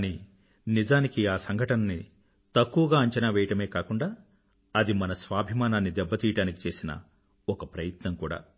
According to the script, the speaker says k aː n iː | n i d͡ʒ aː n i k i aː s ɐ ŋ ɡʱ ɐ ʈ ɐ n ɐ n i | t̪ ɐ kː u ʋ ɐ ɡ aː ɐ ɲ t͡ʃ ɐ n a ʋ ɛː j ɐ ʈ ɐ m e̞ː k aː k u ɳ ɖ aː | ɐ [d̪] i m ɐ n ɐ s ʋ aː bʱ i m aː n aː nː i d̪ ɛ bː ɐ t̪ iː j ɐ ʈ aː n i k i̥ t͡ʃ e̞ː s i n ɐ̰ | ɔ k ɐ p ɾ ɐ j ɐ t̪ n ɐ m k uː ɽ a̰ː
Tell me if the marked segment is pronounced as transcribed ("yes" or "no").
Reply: yes